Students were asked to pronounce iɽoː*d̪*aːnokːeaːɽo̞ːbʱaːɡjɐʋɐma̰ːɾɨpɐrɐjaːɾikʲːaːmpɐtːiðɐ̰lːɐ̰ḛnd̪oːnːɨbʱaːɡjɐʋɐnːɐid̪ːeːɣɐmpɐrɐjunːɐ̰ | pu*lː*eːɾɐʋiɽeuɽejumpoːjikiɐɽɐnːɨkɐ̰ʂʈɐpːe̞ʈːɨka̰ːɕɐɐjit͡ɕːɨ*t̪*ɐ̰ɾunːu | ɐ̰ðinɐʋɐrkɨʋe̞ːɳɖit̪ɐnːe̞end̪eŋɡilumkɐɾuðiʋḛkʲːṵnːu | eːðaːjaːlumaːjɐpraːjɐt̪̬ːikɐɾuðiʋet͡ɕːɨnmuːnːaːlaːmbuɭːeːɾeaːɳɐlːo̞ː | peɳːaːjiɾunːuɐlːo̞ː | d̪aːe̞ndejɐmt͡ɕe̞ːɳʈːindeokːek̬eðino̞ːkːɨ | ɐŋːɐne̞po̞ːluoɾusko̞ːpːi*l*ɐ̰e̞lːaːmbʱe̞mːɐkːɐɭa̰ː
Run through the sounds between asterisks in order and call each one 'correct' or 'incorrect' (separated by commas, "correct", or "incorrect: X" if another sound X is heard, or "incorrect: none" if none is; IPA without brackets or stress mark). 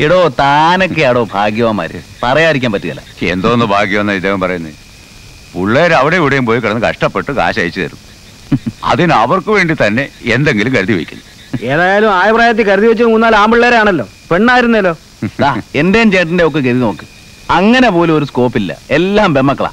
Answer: incorrect: t̪, incorrect: ɭː, correct, incorrect: lː